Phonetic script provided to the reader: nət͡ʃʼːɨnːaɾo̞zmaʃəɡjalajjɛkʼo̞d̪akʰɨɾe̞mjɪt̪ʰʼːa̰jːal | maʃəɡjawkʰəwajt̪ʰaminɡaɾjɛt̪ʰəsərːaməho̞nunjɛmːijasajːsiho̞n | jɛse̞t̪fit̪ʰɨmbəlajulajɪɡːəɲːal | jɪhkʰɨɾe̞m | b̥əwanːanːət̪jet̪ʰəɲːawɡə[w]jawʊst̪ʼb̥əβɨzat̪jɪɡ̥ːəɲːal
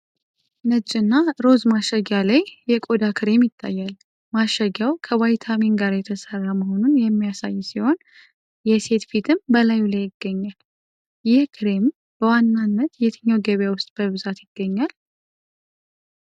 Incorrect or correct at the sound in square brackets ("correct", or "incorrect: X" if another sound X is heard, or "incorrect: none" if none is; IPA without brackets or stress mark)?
incorrect: β